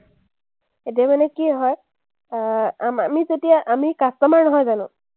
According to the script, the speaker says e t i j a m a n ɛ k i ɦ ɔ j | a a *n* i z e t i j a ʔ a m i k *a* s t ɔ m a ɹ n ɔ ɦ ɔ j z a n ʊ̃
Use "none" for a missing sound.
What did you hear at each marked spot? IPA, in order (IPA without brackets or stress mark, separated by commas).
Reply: m, a